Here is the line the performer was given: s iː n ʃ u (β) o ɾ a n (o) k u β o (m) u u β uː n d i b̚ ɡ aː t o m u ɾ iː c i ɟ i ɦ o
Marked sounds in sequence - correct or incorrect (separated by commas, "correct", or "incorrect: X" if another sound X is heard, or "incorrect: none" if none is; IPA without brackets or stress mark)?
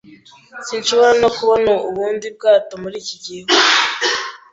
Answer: correct, correct, incorrect: n